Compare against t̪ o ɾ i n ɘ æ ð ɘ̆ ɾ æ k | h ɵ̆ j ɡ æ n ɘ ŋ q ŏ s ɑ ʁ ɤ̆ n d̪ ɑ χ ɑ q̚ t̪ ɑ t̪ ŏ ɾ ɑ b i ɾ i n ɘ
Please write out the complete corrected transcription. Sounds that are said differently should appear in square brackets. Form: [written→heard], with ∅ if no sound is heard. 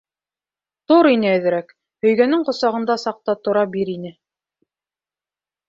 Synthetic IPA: t̪ o ɾ i n ɘ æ ð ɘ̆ ɾ æ k | h ɵ̆ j ɡ æ n ɘ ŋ q ŏ s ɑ ʁ ɤ̆ n d̪ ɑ [χ→s] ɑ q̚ t̪ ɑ t̪ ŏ ɾ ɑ b i ɾ i n ɘ